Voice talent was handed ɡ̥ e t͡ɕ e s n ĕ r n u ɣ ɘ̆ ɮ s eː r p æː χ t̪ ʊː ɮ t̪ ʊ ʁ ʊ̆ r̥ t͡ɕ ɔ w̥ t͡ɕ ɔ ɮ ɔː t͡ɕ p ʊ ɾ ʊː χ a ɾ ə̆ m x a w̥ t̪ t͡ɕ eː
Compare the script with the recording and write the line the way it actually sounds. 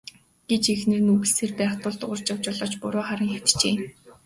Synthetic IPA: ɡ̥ e t͡ɕ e x n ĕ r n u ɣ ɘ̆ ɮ s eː r p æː χ t̪ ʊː ɮ t̪ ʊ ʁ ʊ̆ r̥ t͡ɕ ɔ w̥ t͡ɕ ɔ ɮ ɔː t͡ɕ p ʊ ɾ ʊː χ a ɾ ə̆ ŋ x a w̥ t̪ t͡ɕ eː